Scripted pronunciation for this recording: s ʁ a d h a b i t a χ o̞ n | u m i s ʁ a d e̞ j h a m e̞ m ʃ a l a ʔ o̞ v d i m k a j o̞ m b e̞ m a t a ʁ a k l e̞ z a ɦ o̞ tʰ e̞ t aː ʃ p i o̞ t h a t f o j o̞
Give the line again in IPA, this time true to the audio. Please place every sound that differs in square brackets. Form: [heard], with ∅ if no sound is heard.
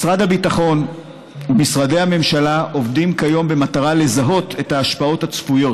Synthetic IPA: s ʁ a d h a b i t a χ o̞ n | u m i s ʁ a d e̞ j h a m e̞ m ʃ a l a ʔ o̞ v d i m k a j o̞ m b e̞ m a t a ʁ a [∅] l e̞ z a ɦ o̞ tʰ e̞ t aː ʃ p [a] o̞ t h a [t͡s] f [u] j o̞

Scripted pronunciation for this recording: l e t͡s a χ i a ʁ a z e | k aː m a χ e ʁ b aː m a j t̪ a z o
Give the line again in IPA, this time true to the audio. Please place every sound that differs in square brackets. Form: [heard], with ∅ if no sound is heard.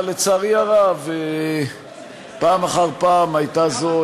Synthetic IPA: l e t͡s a [ʁ] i a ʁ a [v] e | [p] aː m a χ [a] ʁ [p] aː m a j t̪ a z o

